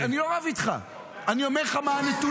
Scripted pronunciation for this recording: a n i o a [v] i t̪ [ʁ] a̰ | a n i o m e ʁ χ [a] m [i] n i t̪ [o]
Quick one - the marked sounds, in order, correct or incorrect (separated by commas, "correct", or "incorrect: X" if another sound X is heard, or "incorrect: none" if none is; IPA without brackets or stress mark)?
correct, incorrect: χ, correct, incorrect: a, incorrect: u